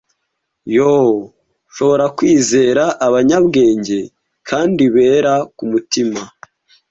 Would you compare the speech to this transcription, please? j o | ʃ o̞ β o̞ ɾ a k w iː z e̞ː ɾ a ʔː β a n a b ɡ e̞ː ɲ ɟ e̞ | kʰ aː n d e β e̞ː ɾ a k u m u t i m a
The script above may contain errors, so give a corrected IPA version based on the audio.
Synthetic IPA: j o | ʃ o̞ β o̞ ɾ a k w iː z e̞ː ɾ a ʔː β a ɲ a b ɡ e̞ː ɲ ɟ e̞ | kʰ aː n d i β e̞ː ɾ a k u m u t i m a